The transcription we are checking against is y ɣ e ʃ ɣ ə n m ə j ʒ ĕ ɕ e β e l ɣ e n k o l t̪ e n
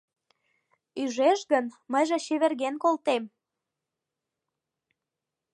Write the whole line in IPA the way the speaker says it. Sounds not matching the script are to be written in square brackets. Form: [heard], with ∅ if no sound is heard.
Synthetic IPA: y [ʒ] e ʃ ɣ ə n m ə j ʒ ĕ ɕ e β e [r] ɣ e n k o l t̪ e [m]